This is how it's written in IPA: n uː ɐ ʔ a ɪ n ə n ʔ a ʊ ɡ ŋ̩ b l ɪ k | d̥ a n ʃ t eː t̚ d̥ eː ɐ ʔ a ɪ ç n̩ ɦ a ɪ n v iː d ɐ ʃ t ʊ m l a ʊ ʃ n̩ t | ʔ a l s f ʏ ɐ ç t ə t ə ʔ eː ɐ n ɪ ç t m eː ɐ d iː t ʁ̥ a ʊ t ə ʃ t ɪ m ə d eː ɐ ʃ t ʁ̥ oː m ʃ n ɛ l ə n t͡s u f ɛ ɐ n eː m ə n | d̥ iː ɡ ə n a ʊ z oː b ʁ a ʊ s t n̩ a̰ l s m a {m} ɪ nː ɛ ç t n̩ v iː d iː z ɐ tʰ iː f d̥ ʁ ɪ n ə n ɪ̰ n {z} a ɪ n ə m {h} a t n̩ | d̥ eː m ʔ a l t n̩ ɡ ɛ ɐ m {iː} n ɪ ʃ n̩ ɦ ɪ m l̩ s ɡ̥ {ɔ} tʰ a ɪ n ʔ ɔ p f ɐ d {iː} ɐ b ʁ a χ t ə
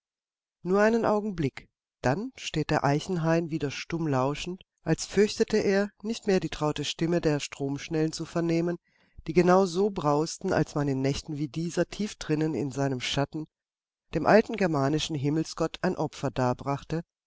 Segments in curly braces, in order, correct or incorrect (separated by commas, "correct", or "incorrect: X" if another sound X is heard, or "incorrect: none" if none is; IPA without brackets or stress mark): incorrect: n, correct, incorrect: ʃ, incorrect: aː, correct, incorrect: aː